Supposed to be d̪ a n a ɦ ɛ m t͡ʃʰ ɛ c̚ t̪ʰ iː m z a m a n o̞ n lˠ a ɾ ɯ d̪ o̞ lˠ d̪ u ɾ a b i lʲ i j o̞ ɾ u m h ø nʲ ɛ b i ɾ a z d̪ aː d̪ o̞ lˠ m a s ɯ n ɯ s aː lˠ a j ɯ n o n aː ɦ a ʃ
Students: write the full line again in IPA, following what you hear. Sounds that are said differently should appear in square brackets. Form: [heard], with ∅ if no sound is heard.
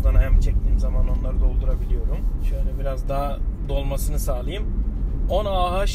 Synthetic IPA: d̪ a n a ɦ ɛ m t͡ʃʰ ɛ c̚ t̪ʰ iː m z a m a n o̞ n lˠ a ɾ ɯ d̪ o̞ lˠ d̪ u ɾ a b i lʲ i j o̞ ɾ u m [ʃ] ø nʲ ɛ b i ɾ a z d̪ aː d̪ o̞ lˠ m a s ɯ n ɯ s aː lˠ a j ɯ [m] o n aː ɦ a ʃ